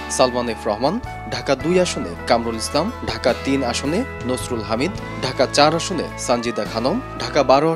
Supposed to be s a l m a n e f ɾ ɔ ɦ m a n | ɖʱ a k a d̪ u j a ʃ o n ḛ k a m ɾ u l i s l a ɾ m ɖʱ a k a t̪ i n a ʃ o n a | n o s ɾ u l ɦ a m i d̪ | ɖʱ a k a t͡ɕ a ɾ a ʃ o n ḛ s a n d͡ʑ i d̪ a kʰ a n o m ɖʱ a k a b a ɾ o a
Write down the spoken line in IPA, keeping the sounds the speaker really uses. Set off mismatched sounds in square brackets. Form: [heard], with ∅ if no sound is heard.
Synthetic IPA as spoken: s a l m a n e f ɾ ɔ ɦ m a n | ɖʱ a k a d̪ u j a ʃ o n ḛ k a m ɾ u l i s l a [∅] m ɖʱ a k a t̪ i n a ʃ o n [e] | n o s ɾ u l ɦ a m i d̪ | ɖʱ a k a t͡ɕ a ɾ a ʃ o n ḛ s a n d͡ʑ i d̪ a kʰ a n o m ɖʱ a k a b a ɾ o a